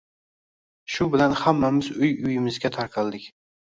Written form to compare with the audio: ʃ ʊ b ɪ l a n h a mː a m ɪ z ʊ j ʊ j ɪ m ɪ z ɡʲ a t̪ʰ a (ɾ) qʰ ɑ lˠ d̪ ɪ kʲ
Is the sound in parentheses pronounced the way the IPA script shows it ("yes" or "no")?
yes